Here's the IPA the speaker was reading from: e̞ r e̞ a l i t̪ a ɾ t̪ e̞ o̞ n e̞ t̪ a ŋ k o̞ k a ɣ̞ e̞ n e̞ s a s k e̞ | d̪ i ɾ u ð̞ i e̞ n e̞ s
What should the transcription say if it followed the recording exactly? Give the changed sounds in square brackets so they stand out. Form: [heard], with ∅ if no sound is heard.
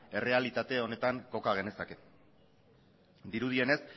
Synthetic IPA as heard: e̞ r e̞ a l i t̪ a [∅] t̪ e̞ o̞ n e̞ t̪ a ŋ k o̞ k a ɣ̞ e̞ n e̞ s a [∅] k e̞ | d̪ i ɾ u ð̞ i e̞ n e̞ s

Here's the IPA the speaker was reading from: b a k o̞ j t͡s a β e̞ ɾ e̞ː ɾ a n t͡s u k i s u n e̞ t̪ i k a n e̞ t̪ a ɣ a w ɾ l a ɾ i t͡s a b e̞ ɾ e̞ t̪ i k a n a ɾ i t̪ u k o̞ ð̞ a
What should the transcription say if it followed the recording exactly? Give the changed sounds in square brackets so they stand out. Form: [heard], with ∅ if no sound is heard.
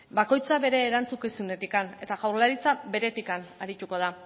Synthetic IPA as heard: b a k o̞ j t͡s a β e̞ ɾ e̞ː ɾ a n t͡s u k i s u n e̞ t̪ i k a n e̞ t̪ a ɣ a w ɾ l a ɾ i t͡s a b e̞ ɾ e̞ t̪ i k a n a ɾ i t̪ u k o̞ ð̞ a

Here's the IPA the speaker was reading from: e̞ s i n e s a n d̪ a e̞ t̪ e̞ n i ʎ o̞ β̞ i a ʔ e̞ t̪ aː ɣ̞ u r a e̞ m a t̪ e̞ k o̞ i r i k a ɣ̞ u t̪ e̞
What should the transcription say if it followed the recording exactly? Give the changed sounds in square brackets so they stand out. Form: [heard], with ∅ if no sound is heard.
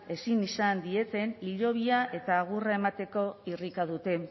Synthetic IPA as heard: e̞ s i n [i] s a n d̪ [i] e̞ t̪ e̞ n i ʎ o̞ β̞ i a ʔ e̞ t̪ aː ɣ̞ u r a e̞ m a t̪ e̞ k o̞ i r i k a [ð̞] u t̪ e̞

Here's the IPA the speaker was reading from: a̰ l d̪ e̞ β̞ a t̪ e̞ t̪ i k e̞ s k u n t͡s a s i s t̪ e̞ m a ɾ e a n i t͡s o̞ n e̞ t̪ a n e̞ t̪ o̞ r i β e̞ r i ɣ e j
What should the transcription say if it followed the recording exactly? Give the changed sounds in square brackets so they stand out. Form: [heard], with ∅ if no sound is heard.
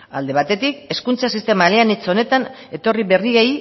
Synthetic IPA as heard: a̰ l d̪ e̞ β̞ a t̪ e̞ t̪ i k e̞ s k u n t͡s a s i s t̪ e̞ m a [l] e a n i t͡s o̞ n e̞ t̪ a n e̞ t̪ o̞ r i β e̞ r i ɣ e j

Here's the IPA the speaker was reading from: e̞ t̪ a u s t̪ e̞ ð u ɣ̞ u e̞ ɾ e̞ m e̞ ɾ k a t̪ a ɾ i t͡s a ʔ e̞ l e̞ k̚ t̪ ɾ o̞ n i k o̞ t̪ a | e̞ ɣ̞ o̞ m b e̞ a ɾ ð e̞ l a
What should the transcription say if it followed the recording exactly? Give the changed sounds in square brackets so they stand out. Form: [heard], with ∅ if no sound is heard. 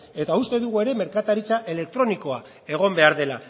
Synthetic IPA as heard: e̞ t̪ a u s t̪ e̞ ð u ɣ̞ u e̞ ɾ e̞ m e̞ ɾ k a t̪ a ɾ i t͡s a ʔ e̞ l e̞ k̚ t̪ ɾ o̞ n i k o̞ [∅] a | e̞ ɣ̞ o̞ m b e̞ a ɾ ð e̞ l a

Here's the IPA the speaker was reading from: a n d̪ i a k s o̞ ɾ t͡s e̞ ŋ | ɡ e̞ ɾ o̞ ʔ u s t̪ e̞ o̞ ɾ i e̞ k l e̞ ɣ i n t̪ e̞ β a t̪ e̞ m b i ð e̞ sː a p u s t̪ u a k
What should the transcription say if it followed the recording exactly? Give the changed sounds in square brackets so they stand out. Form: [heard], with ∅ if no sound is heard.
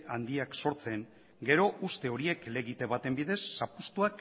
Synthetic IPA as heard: a n d̪ i a k s o̞ ɾ t͡s e̞ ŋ | ɡ e̞ ɾ o̞ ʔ u s t̪ e̞ o̞ ɾ i e̞ k l e̞ ɣ i [∅] t̪ e̞ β a t̪ e̞ m b i ð e̞ sː a p u s t̪ u a k

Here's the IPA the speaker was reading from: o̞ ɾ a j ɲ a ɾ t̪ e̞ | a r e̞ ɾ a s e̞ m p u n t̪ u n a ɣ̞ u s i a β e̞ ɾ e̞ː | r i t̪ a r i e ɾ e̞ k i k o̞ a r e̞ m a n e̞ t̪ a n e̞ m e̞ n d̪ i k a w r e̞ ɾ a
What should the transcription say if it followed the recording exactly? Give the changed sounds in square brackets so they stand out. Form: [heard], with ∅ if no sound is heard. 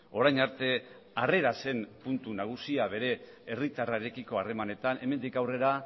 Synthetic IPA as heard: o̞ ɾ a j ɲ a ɾ t̪ e̞ | a r e̞ ɾ a s e̞ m p u n t̪ u n a ɣ̞ u s i a β e̞ ɾ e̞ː | r i t̪ a r [a] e ɾ e̞ k i k o̞ a r e̞ m a n e̞ t̪ a n e̞ m e̞ n d̪ i k a w r e̞ ɾ a

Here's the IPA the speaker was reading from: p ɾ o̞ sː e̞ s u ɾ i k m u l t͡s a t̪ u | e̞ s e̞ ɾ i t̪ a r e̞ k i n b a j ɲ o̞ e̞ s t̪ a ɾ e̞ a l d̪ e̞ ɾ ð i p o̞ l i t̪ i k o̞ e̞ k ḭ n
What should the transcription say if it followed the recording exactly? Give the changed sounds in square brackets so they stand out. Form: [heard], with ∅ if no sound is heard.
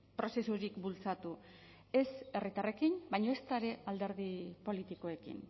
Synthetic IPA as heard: p ɾ o̞ [s] e̞ s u ɾ i k [b] u l t͡s a t̪ u | e̞ s e̞ [r] i t̪ a r e̞ k i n b a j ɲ o̞ e̞ s t̪ a ɾ e̞ a l d̪ e̞ ɾ ð i p o̞ l i t̪ i k o̞ e̞ k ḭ n

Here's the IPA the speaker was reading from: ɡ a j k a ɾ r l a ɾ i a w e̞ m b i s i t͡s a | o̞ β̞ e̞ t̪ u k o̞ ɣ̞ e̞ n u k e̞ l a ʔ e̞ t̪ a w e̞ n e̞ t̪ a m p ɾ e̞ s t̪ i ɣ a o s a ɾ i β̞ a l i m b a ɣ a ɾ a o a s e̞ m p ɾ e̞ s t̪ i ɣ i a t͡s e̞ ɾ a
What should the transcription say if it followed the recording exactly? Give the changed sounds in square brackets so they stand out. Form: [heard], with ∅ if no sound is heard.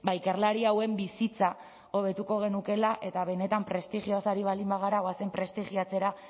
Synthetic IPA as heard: [b] a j k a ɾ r l a ɾ i a w e̞ m b i s i t͡s a | o̞ β̞ e̞ t̪ u k o̞ ɣ̞ e̞ n u k e̞ l a ʔ e̞ t̪ a [β] e̞ n e̞ t̪ a m p ɾ e̞ s t̪ i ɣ [i] o s a ɾ i β̞ a l i m b a ɣ a ɾ a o a s e̞ m p ɾ e̞ s t̪ i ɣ i a t͡s e̞ ɾ a

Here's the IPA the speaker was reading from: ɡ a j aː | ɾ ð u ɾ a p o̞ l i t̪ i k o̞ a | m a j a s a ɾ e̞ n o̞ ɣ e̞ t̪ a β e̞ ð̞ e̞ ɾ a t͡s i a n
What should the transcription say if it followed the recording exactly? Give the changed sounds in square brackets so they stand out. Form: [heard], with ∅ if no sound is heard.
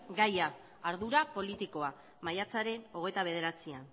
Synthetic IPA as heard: ɡ a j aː | ɾ ð u ɾ a p o̞ l i t̪ i k o̞ a | m a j a [t͡s] a ɾ e̞ n o̞ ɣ e̞ t̪ a β e̞ ð̞ e̞ ɾ a t͡s i a n

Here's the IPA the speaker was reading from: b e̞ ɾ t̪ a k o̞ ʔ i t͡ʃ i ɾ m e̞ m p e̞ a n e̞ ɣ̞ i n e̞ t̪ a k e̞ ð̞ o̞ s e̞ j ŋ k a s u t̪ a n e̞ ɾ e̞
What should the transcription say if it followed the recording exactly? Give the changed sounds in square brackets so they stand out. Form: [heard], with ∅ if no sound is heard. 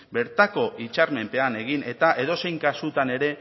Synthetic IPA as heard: b e̞ ɾ t̪ a k o̞ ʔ i t͡ʃ [a] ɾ m e̞ m p e̞ a n e̞ ɣ̞ i n e̞ t̪ a [ʔ] e̞ ð̞ o̞ s e̞ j ŋ k a s u t̪ a n e̞ ɾ e̞

